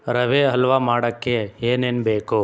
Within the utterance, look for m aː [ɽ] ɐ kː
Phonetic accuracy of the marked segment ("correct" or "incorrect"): correct